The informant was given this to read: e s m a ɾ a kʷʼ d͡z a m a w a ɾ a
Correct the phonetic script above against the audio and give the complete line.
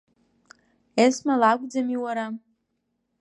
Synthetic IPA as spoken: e s m a l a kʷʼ d͡z a m i w a ɾ a